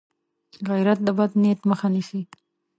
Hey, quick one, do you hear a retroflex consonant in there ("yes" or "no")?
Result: no